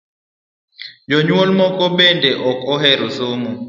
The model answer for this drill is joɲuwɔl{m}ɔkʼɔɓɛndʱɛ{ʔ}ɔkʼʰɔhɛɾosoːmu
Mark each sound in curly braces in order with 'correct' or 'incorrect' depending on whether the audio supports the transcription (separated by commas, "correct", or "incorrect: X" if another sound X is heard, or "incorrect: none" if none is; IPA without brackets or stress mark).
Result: correct, correct